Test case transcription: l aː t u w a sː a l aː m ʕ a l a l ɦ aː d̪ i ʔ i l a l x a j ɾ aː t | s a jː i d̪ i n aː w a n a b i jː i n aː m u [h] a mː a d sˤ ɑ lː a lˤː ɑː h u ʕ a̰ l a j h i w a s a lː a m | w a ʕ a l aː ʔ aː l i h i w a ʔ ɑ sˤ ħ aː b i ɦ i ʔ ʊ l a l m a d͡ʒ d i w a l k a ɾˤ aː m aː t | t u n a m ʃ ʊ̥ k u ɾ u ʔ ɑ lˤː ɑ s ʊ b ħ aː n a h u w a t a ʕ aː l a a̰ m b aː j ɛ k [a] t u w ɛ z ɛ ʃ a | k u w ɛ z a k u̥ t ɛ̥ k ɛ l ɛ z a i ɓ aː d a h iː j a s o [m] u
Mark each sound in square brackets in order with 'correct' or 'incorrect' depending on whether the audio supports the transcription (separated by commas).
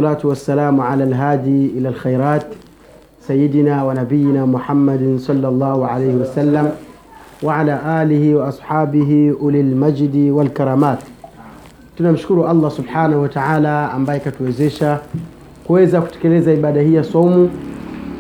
incorrect, correct, correct